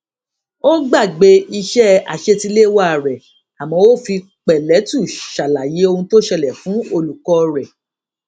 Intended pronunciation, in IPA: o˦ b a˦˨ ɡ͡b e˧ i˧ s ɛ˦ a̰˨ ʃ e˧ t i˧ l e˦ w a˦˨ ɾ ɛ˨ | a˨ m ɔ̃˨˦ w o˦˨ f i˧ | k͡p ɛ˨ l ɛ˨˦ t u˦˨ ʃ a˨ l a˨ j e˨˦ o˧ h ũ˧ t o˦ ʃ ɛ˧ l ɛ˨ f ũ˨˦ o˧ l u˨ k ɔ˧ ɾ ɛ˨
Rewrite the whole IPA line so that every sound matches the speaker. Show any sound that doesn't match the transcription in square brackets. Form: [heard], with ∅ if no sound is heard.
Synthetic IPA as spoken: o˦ [ɡ͡b] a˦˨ ɡ͡b e˧ i˧ [ʃ] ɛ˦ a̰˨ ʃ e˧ t i˧ l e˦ w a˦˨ ɾ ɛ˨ | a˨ m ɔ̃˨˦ w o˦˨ f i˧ | k͡p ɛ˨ l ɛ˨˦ t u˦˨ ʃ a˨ l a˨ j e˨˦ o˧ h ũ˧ t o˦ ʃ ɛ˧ l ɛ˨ f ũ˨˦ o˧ l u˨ k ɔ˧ ɾ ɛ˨